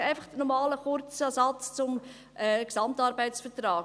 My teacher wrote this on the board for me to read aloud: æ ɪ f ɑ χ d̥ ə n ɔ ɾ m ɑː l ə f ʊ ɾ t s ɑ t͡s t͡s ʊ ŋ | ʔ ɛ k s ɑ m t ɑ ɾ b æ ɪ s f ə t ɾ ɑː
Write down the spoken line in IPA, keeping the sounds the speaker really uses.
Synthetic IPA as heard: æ ɪ f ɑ χ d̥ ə n ɔ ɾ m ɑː l ə χ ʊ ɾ t͡s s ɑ t͡s t͡s ʊ m | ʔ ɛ k s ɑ m t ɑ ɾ b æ ɪ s f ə t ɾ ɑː